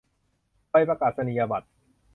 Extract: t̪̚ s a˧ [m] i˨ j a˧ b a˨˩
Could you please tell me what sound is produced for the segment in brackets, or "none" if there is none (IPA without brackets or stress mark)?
n